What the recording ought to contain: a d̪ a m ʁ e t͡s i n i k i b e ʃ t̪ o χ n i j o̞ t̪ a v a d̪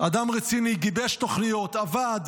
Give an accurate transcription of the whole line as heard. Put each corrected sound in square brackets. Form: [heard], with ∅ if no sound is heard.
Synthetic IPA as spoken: a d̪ a m ʁ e t͡s i n i [ɡ] i b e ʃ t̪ o χ n i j o̞ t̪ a v a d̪

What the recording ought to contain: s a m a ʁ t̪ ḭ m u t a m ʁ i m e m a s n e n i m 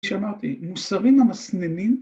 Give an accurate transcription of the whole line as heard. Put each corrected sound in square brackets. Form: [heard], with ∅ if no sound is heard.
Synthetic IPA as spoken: [ʃ] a m a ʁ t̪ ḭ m u [s] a [∅] ʁ i m [a] m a s n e n i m

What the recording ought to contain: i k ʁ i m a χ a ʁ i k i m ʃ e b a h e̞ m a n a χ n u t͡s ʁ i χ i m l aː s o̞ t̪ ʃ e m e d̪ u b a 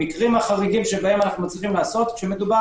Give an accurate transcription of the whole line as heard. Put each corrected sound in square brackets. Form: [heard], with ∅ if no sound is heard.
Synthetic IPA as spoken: i k ʁ i m a χ a ʁ i [ɡ] i m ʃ e b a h e̞ m a n a χ n u t͡s ʁ i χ i m l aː s o̞ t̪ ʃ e m e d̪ u b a

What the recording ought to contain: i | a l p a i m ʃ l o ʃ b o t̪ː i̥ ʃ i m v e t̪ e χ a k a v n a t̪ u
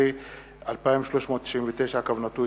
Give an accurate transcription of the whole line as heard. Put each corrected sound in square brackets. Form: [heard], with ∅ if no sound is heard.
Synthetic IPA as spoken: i | a l p a i m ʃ l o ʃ [m] o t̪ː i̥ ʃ i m v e t̪ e [ʃ] a k a v n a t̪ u

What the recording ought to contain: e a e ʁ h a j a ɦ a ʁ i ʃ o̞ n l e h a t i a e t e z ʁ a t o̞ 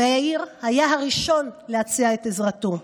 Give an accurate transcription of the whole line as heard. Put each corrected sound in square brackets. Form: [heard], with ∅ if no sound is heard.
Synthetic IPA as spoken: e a [i] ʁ h a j a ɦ a ʁ i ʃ o̞ n l e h a [t͡s] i a e t e z ʁ a t o̞

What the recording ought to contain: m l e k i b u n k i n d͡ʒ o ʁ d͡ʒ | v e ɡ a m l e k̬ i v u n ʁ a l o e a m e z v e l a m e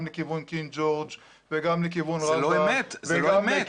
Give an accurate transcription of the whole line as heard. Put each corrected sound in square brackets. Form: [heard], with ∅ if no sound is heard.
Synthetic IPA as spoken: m l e k i [v] u n k i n d͡ʒ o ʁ d͡ʒ | v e ɡ a m l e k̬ i v u n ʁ a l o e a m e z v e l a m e

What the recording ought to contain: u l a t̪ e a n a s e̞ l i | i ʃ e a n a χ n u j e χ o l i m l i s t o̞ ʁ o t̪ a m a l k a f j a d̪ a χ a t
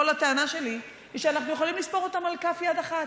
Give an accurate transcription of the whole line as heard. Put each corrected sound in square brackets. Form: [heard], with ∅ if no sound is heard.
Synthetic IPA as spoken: [o] l a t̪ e a n a [ʃ] e̞ l i | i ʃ e a n a χ n u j e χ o l i m l i s [p] o̞ ʁ o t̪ a m a l k a f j a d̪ a χ a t

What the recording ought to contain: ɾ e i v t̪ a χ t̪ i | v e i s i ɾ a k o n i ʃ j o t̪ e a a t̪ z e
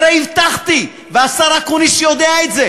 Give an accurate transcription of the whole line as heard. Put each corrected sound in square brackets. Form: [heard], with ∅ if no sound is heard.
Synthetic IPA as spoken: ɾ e i v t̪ a χ t̪ i | v e [a] s [a] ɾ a k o n i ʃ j o [d̪] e a [e] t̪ z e

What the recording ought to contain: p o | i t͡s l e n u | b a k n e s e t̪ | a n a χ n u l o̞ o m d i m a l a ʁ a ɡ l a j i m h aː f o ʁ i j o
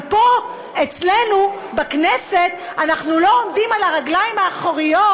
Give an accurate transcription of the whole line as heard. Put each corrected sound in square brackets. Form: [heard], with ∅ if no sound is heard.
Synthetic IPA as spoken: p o | [e] t͡s l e n u | b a k n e s e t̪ | a n a χ n u l o̞ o m d i m a l a ʁ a ɡ l a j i m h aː [χ] o ʁ i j o

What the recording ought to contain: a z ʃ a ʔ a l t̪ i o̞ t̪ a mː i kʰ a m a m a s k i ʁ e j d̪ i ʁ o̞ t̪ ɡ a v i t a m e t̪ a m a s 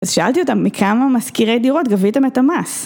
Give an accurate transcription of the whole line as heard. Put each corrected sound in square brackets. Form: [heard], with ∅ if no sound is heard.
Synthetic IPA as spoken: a z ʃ a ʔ a l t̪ i o̞ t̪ a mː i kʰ a m a m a s k i ʁ e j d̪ i ʁ o̞ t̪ ɡ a v i t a m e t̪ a m a s

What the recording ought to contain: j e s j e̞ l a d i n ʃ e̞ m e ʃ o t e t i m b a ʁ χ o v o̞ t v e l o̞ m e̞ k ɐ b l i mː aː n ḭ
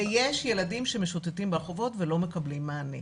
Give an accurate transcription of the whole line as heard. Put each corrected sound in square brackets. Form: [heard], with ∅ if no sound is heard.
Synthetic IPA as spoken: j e [ʃ] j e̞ l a d i [m] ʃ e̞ m e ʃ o t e t i m b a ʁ χ o v o̞ t v e l o̞ m e̞ k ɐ b l i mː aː n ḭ

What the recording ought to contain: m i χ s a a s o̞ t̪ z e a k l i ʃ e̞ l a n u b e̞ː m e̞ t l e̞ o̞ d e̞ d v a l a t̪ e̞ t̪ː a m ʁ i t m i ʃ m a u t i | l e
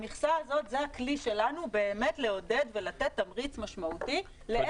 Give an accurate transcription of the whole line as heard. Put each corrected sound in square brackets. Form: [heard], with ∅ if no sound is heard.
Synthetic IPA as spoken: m i χ s a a [z] o̞ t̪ z e a k l i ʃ e̞ l a n u b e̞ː m e̞ t l e̞ o̞ d e̞ d v [e] l a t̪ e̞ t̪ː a m ʁ i [t͡s] m [a] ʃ m a u t i | l e

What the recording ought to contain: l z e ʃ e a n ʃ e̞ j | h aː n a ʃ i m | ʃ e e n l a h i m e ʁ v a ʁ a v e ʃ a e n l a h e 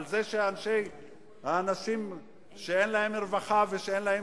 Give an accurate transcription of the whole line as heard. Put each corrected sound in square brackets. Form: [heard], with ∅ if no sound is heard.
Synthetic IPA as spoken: l z e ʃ e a n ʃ e̞ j | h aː n a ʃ i m | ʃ e e n l a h [e] m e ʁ v a [χ] a v e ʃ [e] e n l a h e

